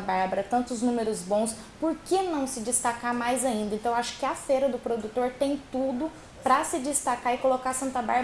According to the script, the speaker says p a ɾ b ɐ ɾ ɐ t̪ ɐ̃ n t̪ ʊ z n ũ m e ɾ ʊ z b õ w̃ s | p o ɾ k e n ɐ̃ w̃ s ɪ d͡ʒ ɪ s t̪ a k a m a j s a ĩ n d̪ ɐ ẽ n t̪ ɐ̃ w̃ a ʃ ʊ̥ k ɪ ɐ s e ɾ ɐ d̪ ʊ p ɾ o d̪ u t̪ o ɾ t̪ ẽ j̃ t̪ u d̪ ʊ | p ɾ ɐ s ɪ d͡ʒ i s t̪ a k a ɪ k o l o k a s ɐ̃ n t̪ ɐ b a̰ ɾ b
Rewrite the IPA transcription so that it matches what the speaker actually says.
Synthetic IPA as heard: b a ɾ b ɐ ɾ ɐ t̪ ɐ̃ n t̪ ʊ z n ũ m e ɾ ʊ z b õ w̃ s | p o ɾ k e n ɐ̃ w̃ s ɪ d͡ʒ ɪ s t̪ a k a m a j z a ĩ n d̪ ɐ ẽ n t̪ ɐ̃ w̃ a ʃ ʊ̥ k ɪ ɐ f e ɾ ɐ d̪ ʊ p ɾ o d̪ u t̪ o ɾ t̪ ẽ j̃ t̪ u d̪ ʊ | p ɾ ɐ s ɪ d͡ʒ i s t̪ a k a ɪ k o l o k a s ɐ̃ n t̪ ɐ b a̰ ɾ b